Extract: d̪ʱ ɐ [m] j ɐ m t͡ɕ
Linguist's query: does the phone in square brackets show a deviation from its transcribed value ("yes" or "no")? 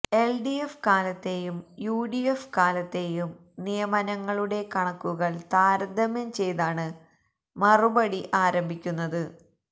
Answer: no